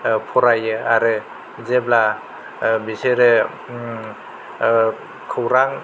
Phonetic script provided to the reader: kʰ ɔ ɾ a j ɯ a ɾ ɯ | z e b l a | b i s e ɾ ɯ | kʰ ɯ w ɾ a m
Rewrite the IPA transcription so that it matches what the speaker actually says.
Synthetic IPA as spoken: pʰ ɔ ɾ a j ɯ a ɾ ɯ | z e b l a | b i s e ɾ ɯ | kʰ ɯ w ɾ a ŋ